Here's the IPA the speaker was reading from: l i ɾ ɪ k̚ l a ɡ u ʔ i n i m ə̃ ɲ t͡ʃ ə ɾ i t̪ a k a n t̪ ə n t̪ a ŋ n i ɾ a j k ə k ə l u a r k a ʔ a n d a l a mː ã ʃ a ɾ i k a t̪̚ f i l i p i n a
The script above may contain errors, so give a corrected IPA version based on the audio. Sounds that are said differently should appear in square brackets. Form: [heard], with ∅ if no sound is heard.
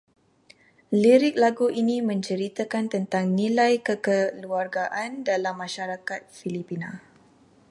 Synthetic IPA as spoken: l i ɾ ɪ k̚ l a ɡ u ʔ i n i m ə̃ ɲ t͡ʃ ə ɾ i t̪ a k a n t̪ ə n t̪ a ŋ n i [l] a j k ə k ə l u a r [ɡ] a ʔ a n d a l a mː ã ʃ a ɾ [a] k a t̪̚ f i l i p i n a